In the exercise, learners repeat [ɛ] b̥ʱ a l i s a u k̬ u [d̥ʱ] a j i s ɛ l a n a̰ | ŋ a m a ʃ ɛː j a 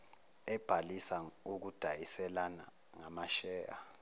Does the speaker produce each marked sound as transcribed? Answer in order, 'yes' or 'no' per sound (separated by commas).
yes, yes